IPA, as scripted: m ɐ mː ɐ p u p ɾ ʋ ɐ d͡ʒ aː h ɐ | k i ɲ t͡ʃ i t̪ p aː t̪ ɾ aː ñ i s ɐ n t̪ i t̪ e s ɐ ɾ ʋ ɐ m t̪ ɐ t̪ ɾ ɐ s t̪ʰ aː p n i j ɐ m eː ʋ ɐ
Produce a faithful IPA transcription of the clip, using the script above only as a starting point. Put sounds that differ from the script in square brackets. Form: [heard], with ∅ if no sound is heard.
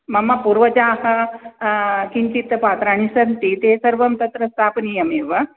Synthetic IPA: m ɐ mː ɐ p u [∅] ɾ ʋ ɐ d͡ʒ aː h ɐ | k i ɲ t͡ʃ i t̪ p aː t̪ ɾ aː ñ i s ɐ n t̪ i t̪ e s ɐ ɾ ʋ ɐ m t̪ ɐ t̪ ɾ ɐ s t̪ʰ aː p n i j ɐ m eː ʋ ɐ